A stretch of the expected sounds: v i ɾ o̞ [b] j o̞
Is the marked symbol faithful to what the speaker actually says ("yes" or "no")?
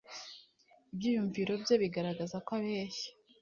yes